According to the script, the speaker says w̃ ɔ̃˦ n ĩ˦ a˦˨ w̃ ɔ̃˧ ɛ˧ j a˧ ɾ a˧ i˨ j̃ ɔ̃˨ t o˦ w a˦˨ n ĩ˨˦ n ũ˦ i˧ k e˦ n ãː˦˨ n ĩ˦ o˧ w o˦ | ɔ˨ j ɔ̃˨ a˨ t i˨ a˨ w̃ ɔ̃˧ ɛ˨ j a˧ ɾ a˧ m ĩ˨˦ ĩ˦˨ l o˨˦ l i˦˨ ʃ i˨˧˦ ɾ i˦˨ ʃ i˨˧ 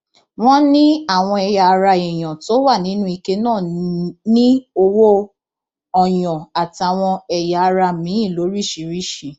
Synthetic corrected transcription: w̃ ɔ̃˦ n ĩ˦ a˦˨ w̃ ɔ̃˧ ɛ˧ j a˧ ɾ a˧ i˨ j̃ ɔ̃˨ t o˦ w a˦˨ n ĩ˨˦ n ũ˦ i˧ k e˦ n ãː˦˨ n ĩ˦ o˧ w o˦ | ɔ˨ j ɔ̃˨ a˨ t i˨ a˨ w̃ ɔ̃˧ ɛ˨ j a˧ ɾ a˧ m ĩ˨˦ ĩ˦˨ l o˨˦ ɾ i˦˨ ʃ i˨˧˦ ɾ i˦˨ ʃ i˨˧